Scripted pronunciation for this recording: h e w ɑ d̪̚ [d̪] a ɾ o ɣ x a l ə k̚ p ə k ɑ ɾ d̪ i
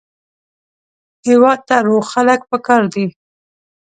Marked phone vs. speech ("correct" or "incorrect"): incorrect